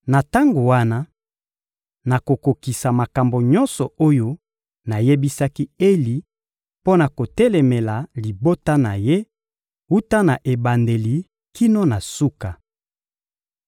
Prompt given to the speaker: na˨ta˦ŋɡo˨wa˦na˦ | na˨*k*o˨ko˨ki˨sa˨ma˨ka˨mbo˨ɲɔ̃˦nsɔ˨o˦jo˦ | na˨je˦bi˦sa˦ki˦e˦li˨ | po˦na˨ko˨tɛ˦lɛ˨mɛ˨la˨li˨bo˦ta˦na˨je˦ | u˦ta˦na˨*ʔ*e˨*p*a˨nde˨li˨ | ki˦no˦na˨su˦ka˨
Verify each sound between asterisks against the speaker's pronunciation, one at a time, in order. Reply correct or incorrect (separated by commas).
correct, correct, incorrect